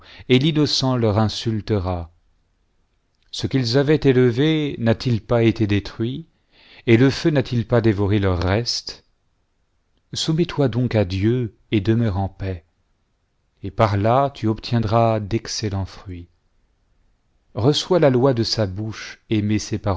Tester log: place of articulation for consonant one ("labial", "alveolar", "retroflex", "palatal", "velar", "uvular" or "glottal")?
alveolar